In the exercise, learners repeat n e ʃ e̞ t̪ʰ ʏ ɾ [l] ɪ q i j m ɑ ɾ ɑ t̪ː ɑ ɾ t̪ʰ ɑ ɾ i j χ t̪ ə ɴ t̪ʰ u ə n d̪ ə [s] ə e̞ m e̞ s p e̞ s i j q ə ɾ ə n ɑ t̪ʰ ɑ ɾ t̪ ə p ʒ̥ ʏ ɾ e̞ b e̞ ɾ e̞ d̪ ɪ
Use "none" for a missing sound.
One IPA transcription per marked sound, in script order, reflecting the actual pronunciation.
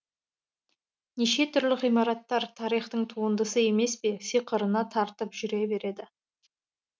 l, s

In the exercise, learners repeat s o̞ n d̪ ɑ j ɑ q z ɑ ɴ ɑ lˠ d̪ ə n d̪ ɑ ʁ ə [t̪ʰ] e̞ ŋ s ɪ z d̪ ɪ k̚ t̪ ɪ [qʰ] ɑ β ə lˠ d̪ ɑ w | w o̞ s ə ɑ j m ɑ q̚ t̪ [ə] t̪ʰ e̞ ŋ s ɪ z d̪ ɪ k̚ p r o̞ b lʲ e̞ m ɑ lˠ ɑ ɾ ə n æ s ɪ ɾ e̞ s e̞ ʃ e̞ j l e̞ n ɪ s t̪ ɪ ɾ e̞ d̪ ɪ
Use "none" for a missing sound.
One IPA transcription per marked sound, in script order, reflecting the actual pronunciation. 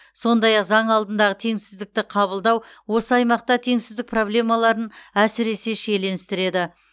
t̪ʰ, qʰ, ɑ

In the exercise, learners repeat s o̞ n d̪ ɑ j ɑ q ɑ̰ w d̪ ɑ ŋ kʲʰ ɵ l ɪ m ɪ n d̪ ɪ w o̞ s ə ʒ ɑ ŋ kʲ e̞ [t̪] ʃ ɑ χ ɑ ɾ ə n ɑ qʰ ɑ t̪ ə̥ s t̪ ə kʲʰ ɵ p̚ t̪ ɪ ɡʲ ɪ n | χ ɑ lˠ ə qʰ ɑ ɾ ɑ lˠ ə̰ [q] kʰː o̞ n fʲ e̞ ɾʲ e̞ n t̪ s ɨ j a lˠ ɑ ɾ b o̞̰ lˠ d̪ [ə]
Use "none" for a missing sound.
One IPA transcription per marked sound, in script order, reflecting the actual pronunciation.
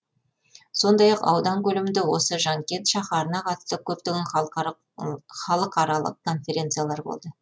t̪, q, ə

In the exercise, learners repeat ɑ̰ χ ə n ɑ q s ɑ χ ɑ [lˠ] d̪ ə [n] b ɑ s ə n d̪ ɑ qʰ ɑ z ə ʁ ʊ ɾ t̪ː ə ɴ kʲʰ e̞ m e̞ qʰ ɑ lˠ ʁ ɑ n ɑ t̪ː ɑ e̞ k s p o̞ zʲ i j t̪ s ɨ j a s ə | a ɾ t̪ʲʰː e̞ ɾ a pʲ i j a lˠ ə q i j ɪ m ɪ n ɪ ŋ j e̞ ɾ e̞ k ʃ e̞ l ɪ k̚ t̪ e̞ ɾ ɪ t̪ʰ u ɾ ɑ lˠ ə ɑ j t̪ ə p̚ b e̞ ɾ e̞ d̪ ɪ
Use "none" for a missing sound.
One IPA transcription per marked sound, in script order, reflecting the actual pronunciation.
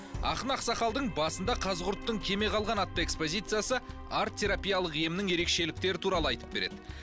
lˠ, ɴ

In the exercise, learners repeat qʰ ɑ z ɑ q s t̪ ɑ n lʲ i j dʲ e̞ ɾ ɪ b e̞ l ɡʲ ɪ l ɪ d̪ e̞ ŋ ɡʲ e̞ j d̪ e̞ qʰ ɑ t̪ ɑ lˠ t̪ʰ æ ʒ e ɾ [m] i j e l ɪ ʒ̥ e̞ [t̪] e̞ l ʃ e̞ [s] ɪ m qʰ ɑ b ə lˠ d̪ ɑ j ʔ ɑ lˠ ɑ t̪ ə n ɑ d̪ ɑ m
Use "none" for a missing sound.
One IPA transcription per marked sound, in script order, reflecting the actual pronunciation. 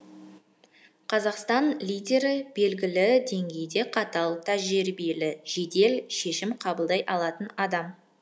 b, d̪, ʃ

